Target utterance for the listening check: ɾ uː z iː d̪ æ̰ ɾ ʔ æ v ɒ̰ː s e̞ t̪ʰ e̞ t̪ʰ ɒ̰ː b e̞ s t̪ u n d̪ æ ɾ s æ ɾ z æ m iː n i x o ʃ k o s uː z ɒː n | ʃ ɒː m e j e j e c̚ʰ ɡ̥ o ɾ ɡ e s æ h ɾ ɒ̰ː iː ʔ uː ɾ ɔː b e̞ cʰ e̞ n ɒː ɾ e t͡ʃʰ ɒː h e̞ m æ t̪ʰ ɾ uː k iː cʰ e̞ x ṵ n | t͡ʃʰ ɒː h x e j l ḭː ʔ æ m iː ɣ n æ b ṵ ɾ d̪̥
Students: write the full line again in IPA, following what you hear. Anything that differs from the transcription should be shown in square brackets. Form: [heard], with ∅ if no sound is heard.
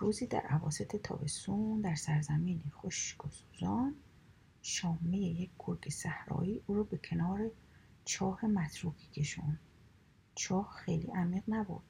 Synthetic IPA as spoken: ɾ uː z iː d̪ æ̰ ɾ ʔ æ v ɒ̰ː s e̞ t̪ʰ e̞ t̪ʰ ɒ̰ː b e̞ s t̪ u n d̪ æ ɾ s æ ɾ z æ m iː n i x o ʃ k o s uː z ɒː n | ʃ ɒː m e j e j e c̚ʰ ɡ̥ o ɾ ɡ e s æ h ɾ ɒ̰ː iː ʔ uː ɾ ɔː b e̞ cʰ e̞ n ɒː ɾ e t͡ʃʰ ɒː h e̞ m æ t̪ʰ ɾ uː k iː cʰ e̞ [ʃ] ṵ n | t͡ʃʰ ɒː h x e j l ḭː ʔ æ m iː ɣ n æ b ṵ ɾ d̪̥